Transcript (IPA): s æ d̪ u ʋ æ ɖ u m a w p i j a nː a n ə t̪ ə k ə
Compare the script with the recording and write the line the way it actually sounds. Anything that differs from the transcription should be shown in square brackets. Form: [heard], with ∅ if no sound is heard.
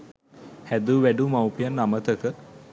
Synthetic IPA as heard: [h] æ d̪ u ʋ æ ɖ u m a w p i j a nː a [m] ə t̪ ə k ə